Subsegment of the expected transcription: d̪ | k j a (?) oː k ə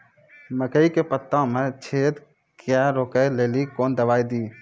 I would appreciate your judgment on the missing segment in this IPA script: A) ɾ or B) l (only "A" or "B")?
A